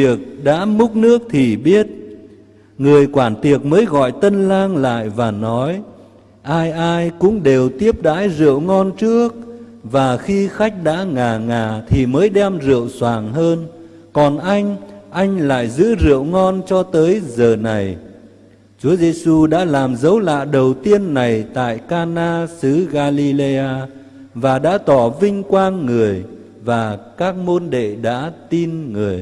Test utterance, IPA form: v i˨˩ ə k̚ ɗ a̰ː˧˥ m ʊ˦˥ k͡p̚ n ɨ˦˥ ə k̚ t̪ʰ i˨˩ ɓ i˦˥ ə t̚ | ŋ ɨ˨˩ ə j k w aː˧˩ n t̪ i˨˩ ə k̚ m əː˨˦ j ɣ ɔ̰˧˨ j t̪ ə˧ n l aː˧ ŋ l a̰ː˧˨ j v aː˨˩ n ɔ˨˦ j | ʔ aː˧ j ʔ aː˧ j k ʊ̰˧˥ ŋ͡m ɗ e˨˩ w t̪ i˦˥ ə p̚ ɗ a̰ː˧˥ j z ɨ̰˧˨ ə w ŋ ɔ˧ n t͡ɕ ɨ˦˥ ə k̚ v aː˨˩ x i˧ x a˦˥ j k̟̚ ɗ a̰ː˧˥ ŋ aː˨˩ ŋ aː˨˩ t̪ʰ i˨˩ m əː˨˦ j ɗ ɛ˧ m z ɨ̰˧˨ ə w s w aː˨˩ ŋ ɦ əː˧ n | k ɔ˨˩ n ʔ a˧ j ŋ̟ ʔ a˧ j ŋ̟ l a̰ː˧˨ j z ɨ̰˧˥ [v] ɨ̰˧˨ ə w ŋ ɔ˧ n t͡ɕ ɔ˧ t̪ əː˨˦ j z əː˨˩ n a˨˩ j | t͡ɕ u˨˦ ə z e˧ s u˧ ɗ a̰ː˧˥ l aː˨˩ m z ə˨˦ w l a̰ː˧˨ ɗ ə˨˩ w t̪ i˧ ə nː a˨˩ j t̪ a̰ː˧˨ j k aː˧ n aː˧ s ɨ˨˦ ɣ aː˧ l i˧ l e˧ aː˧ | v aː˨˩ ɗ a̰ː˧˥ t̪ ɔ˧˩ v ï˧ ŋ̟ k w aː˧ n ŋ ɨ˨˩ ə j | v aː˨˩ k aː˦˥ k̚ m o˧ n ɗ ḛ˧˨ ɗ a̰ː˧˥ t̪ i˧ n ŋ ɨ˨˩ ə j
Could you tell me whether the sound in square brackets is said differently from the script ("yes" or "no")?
yes